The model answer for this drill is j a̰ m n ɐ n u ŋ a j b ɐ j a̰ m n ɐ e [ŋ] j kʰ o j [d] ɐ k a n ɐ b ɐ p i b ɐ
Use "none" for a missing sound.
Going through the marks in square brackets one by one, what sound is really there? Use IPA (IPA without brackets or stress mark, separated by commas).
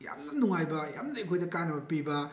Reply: none, d